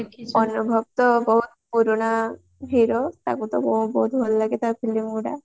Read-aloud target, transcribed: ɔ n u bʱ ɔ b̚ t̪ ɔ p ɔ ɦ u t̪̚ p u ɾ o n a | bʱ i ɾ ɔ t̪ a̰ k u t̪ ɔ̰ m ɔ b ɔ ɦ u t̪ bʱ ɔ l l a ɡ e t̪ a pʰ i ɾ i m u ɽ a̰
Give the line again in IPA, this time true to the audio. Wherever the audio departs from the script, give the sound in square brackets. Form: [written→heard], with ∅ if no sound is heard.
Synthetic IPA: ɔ n u bʱ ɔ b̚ t̪ ɔ [p→b] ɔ ɦ u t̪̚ p u ɾ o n a | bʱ i ɾ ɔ t̪ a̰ k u t̪ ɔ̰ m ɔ b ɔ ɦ u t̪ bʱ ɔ l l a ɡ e t̪ a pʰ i [ɾ→l] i m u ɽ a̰